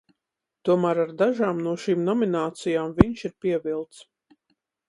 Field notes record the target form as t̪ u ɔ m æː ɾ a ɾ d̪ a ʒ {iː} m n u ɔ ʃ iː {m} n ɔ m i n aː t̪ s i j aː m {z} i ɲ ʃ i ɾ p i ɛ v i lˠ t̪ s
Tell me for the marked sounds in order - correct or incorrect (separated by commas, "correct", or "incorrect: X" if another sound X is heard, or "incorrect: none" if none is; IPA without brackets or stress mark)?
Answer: incorrect: aː, correct, incorrect: v